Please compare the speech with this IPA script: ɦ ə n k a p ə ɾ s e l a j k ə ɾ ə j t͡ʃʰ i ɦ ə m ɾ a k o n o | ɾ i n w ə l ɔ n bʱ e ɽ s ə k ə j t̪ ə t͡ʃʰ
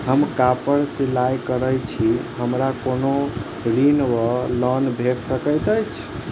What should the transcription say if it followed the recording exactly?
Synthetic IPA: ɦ ə m k a p ə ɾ s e l a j k ə ɾ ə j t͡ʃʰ i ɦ ə m ɾ a k o n o | ɾ i n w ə l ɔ n bʱ e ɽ s ə k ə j t̪ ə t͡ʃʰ